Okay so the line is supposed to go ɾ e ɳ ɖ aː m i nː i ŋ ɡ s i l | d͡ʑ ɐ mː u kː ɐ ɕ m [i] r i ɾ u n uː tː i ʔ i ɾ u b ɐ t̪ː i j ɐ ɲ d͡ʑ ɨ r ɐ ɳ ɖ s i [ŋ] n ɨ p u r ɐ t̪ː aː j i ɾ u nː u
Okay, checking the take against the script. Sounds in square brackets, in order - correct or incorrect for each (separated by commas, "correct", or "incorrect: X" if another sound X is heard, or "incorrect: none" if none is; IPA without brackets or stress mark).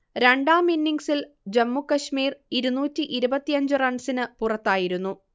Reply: incorrect: iː, incorrect: none